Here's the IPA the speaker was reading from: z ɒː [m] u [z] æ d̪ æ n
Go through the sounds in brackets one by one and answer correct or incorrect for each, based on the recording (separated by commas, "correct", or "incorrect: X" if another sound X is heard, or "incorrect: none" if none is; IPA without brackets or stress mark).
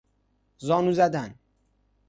incorrect: n, correct